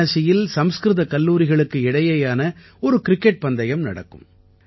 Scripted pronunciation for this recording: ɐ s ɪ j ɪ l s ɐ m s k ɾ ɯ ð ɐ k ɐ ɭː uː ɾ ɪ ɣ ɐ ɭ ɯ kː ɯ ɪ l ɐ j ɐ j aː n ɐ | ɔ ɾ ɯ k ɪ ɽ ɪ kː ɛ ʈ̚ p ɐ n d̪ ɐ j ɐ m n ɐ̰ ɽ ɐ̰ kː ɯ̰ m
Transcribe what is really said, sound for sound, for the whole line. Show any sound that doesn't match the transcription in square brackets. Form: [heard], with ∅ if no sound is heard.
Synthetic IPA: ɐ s ɪ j ɪ l s ɐ m s k ɾ ɯ ð ɐ k ɐ [lː] uː ɾ ɪ ɣ ɐ ɭ ɯ kː ɯ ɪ [ɽ] ɐ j ɐ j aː n ɐ | ɔ ɾ ɯ k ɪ [ɾ] ɪ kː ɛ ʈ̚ p ɐ n d̪ ɐ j ɐ m n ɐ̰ ɽ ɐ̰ kː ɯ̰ m